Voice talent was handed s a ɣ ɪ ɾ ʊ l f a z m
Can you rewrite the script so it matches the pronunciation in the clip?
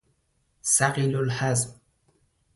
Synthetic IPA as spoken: s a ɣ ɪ l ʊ l ħ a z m